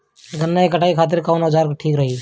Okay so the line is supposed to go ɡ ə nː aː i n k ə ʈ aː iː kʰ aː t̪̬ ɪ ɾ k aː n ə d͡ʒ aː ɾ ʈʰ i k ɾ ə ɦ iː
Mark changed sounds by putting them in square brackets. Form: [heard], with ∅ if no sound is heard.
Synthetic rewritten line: ɡ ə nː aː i [∅] k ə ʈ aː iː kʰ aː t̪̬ ɪ ɾ k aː n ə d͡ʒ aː ɾ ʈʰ [iː] k ɾ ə ɦ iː